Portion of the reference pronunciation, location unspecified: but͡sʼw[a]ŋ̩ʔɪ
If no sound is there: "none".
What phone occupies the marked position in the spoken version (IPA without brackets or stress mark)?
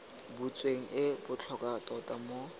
e